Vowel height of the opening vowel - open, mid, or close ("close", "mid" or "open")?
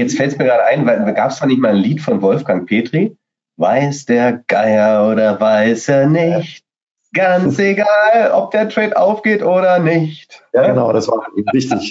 mid